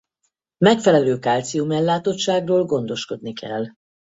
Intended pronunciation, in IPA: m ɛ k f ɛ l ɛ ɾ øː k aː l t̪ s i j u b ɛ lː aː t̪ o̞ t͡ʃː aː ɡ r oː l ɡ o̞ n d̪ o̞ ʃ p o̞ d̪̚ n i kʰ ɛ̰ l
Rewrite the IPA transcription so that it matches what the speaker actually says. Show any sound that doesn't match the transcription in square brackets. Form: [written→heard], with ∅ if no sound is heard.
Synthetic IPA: m ɛ k f ɛ l ɛ [ɾ→l] øː k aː l t̪ s i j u [b→m] ɛ lː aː t̪ o̞ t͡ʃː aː ɡ r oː l ɡ o̞ n d̪ o̞ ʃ [p→k] o̞ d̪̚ n i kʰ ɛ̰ l